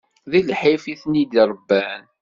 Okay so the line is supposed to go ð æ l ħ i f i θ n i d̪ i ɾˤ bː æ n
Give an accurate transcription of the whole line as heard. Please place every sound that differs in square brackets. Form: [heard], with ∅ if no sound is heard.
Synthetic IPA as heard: ð [i] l ħ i f i θ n i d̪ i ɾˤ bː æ n